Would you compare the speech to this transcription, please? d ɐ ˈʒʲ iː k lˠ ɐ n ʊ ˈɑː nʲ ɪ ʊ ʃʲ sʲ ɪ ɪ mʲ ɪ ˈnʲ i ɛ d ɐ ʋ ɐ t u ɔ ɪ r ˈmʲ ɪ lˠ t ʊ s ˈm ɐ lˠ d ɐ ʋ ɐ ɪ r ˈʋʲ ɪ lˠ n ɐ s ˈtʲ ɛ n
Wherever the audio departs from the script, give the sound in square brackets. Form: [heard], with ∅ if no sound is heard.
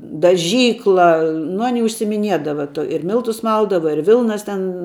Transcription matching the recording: d ɐ ˈʒʲ iː k lˠ ɐ n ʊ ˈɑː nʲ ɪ ʊ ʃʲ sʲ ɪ ɪ mʲ ɪ ˈnʲ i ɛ d ɐ ʋ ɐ t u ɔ ɪ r ˈmʲ ɪ lˠ t ʊ s ˈm ɐ lˠ d ɐ ʋ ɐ ɪ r ˈʋʲ ɪ lˠ n ɐ s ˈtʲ ɛ n